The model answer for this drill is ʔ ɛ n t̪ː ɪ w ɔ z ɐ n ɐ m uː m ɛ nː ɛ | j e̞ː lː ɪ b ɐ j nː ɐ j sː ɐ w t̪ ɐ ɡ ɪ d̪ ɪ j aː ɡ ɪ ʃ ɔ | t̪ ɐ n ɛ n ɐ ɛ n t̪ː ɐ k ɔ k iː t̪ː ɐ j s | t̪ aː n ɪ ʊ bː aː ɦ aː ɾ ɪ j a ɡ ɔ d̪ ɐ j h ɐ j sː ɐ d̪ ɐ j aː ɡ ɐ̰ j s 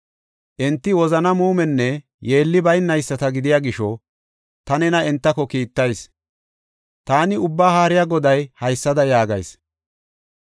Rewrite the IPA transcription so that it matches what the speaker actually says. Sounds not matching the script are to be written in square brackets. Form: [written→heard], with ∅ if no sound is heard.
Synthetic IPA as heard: ʔ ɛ n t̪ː ɪ w ɔ z ɐ n ɐ m uː m ɛ nː ɛ | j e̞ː lː ɪ b ɐ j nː ɐ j sː ɐ [w→∅] t̪ ɐ ɡ ɪ d̪ ɪ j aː ɡ ɪ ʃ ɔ | t̪ ɐ n ɛ n ɐ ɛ n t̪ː ɐ k ɔ k iː t̪ː ɐ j s | t̪ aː n ɪ ʊ bː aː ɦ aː ɾ ɪ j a ɡ ɔ d̪ ɐ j h ɐ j sː ɐ d̪ ɐ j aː ɡ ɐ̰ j s